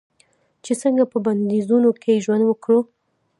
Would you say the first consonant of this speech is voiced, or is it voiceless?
voiceless